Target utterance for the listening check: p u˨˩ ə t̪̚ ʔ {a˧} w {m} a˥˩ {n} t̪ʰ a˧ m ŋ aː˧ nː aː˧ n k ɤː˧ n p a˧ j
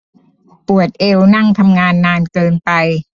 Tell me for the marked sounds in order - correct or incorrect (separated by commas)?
incorrect, incorrect, incorrect